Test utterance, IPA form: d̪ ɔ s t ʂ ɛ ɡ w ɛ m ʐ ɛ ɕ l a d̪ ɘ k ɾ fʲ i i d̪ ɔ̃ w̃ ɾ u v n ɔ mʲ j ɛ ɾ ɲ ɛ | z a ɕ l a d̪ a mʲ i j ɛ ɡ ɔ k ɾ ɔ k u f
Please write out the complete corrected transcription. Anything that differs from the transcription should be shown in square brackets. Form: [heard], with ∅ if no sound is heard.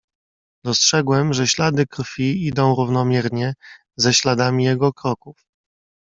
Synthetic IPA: d̪ ɔ s t ʂ ɛ ɡ w ɛ m ʐ ɛ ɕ l a d̪ ɘ k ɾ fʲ i i d̪ ɔ̃ w̃ ɾ u v n ɔ mʲ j ɛ ɾ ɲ ɛ | z [ɛ] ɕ l a d̪ a mʲ i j ɛ ɡ ɔ k ɾ ɔ k u f